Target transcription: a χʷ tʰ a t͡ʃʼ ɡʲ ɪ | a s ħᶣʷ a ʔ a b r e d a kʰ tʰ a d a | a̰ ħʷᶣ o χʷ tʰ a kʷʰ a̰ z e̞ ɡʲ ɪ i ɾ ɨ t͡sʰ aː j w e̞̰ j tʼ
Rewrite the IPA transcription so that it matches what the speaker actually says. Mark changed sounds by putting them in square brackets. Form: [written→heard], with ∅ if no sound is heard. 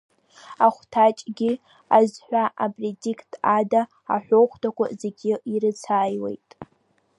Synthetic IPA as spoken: a χʷ tʰ a t͡ʃʼ ɡʲ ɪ | a [s→z] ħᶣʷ a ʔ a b r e d [a→i] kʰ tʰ a d a | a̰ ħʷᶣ o χʷ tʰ a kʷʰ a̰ z e̞ ɡʲ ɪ i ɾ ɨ t͡sʰ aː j w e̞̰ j tʼ